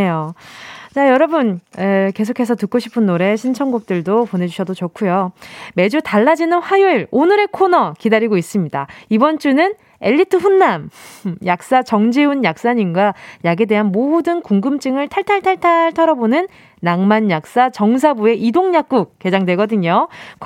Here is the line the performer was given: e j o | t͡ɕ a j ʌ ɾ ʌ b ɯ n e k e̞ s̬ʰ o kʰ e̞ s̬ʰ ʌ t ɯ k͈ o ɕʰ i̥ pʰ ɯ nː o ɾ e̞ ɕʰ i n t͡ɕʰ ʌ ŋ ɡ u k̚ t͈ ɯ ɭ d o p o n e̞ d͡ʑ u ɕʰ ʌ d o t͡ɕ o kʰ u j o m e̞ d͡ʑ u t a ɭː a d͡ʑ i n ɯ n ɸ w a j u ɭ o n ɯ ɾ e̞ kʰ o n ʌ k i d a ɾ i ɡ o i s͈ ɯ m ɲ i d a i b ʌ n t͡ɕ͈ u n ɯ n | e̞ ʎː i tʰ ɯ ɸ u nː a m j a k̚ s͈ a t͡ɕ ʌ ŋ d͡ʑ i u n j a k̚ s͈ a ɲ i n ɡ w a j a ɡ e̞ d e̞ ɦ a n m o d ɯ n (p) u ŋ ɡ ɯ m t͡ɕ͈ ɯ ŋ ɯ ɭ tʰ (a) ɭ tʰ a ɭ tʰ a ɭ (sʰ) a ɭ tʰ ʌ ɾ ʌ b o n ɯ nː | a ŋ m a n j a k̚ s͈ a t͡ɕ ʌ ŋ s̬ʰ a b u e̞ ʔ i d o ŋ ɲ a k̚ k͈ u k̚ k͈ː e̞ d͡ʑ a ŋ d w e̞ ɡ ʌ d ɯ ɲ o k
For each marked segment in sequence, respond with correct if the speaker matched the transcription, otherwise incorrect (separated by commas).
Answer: incorrect, correct, incorrect